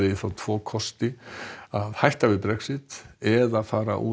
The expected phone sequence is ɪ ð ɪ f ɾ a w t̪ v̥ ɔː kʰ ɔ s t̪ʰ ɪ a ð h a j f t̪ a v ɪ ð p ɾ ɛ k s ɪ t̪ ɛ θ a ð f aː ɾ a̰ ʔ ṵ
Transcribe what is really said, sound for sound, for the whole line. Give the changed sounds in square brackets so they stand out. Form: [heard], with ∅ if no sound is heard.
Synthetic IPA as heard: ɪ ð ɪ f ɾ a w [t̪ʰ] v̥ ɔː kʰ ɔ s [t̪] ɪ a ð h a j [h] t̪ a v ɪ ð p ɾ ɛ k s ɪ t̪ ɛ [ð] a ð f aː ɾ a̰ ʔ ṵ

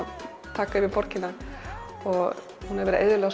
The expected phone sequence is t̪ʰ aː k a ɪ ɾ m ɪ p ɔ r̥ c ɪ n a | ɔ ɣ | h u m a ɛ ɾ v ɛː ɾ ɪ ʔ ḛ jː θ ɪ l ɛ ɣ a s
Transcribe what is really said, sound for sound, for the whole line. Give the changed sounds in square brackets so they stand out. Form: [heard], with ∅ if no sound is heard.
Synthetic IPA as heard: t̪ʰ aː k a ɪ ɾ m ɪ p ɔ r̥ c ɪ n a | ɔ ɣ | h u [n] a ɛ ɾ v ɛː ɾ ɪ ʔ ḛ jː [ð] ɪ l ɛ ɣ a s

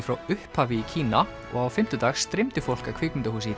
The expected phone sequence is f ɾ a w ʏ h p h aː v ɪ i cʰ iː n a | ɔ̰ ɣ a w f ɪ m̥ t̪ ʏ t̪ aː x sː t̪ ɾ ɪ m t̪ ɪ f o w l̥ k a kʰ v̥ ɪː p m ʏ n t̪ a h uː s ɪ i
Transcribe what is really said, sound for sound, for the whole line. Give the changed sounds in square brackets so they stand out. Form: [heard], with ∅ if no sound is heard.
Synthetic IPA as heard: f ɾ a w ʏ h p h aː v ɪ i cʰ iː n a | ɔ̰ ɣ a w f ɪ m̥ t̪ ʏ t̪ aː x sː t̪ ɾ ɪ m t̪ ɪ f o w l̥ k a kʰ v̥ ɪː [k] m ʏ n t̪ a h uː s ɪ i

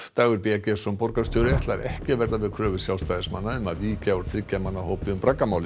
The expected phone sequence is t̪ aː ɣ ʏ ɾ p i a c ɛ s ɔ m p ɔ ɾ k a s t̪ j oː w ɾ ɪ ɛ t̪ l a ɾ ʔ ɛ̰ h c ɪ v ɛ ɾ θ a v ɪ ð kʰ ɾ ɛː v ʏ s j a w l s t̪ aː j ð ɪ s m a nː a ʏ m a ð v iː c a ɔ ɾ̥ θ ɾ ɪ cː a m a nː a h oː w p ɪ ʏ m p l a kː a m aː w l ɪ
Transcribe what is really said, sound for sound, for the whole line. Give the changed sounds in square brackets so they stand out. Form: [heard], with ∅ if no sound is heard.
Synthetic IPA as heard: t̪ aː ɣ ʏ ɾ p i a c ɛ s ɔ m p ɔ ɾ k a s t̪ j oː w ɾ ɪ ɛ t̪ l a ɾ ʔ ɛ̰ h c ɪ v ɛ ɾ [ð] a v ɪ ð kʰ ɾ [œː] v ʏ s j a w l s t̪ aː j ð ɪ s m a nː a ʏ m a ð v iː c a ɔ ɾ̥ θ ɾ ɪ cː a m a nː a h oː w p ɪ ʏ m p [ɾ] a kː a m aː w l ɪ

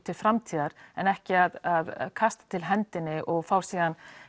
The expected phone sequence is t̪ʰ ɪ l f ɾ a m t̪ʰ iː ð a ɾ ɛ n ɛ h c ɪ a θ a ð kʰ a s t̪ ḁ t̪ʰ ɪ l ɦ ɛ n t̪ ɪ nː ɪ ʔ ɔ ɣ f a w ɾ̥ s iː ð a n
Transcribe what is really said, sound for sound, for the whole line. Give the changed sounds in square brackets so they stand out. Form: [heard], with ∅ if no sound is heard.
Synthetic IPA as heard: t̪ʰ ɪ l f ɾ a m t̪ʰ iː ð a ɾ ɛ n ɛ h c ɪ a [ð] a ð kʰ a s t̪ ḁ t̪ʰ ɪ l ɦ ɛ n t̪ ɪ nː ɪ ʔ ɔ ɣ f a w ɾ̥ s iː ð a n

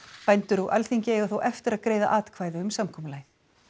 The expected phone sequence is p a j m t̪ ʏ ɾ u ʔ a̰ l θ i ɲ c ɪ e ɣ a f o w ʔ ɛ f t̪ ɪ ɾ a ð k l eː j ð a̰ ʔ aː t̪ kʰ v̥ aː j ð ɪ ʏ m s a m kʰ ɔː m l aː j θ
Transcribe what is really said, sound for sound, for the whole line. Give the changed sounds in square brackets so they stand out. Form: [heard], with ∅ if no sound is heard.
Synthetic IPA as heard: p a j [n] t̪ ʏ ɾ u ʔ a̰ l θ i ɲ c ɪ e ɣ a [θ] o w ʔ ɛ f t̪ ɪ ɾ a ð k [ɾ] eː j ð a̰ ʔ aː t̪ kʰ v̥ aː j ð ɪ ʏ m s a m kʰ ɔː m l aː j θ

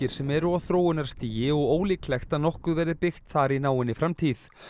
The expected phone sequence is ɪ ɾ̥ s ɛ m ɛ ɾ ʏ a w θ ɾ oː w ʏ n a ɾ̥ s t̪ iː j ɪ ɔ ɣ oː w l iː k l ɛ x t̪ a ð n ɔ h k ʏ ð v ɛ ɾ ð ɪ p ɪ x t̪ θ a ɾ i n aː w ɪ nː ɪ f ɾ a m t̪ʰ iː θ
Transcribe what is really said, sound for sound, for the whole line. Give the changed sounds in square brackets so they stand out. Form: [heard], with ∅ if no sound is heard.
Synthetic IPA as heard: ɪ ɾ̥ s ɛ m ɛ ɾ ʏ a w θ ɾ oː w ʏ n a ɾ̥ s t̪ iː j ɪ ɔ ɣ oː w l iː k l ɛ x t̪ a ð n ɔ h k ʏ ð v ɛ ɾ ð ɪ p ɪ x t̪ θ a ɾ i n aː w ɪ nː ɪ f ɾ a m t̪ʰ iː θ

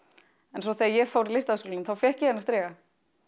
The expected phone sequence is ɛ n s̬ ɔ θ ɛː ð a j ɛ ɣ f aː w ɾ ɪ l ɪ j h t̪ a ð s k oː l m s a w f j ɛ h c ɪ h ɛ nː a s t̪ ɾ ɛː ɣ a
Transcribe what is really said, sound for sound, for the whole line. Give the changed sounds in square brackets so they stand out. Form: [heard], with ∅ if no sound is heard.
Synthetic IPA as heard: ɛ n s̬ ɔ θ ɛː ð a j ɛ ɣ f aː w ɾ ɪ l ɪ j [s] t̪ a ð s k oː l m [θ] a w f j ɛ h c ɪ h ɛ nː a s t̪ ɾ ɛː ɣ a

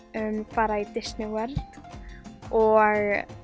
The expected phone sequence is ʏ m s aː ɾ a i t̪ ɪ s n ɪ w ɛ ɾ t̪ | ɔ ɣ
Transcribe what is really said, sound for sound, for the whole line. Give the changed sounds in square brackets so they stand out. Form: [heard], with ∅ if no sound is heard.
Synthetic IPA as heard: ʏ m [f] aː ɾ a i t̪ ɪ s n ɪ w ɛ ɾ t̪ | ɔ ɣ

